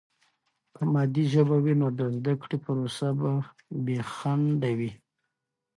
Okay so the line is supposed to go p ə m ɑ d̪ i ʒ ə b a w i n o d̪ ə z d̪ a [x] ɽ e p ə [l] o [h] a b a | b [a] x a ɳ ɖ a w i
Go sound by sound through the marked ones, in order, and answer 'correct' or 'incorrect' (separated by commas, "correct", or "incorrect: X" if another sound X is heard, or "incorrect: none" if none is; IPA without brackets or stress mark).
incorrect: k, incorrect: ɾ, incorrect: s, incorrect: e